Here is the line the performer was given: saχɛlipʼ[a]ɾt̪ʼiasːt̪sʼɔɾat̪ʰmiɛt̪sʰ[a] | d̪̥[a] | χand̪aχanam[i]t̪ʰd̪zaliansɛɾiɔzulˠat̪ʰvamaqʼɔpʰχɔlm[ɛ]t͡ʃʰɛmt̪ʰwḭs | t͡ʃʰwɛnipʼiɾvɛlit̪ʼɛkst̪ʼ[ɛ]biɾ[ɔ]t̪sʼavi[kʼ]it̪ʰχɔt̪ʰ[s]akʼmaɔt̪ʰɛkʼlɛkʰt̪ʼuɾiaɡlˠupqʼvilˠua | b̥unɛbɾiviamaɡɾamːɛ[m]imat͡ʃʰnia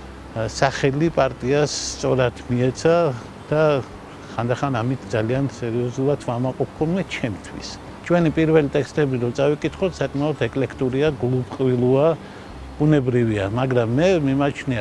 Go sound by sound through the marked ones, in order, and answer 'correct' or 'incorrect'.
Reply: correct, correct, correct, correct, correct, correct, correct, correct, correct, correct

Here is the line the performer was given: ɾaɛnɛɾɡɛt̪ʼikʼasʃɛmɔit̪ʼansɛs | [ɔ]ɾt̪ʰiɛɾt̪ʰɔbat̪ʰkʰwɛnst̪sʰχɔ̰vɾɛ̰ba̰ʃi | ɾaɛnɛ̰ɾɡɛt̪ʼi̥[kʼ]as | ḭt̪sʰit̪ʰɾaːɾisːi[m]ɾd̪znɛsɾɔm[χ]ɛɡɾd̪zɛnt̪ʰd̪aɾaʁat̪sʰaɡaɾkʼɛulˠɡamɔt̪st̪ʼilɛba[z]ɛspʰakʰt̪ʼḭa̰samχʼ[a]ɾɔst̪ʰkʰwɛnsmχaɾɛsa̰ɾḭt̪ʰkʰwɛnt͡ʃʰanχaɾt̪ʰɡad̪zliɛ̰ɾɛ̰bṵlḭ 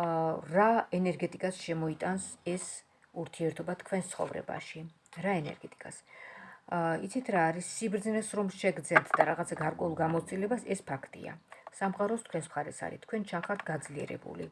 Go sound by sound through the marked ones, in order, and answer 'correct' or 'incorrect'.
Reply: incorrect: u, correct, incorrect: b, incorrect: ʃ, incorrect: s, correct

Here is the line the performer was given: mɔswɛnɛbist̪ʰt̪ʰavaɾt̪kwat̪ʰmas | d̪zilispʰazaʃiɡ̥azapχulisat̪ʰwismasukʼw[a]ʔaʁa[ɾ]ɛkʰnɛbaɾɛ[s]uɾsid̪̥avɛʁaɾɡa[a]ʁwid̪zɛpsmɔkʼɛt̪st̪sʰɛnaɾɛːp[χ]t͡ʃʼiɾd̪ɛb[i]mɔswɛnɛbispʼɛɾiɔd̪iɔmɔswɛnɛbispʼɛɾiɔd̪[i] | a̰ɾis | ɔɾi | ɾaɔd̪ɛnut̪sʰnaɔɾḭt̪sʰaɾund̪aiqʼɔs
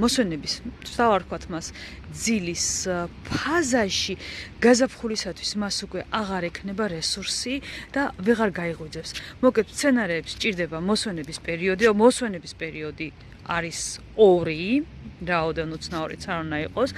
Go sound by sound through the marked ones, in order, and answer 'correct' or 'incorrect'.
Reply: incorrect: ɛ, correct, correct, incorrect: i, incorrect: s, incorrect: a, correct

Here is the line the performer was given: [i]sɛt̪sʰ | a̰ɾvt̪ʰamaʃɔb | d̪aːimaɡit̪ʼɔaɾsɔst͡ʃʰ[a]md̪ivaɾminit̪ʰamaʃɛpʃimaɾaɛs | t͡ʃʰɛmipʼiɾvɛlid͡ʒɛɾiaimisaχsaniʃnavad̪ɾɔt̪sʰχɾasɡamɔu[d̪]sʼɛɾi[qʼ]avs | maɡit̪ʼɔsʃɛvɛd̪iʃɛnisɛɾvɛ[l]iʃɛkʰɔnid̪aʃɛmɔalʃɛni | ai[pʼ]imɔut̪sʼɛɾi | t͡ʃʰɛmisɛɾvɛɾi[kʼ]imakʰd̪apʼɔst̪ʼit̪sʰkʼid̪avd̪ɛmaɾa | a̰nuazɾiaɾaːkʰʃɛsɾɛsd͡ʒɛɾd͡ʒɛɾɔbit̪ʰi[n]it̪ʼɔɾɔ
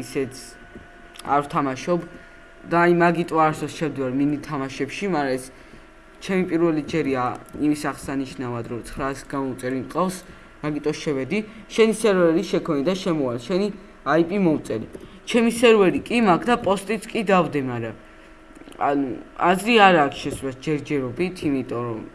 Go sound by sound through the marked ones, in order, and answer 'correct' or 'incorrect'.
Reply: correct, incorrect: ɛ, incorrect: t̪, correct, incorrect: ɾ, correct, correct, incorrect: m

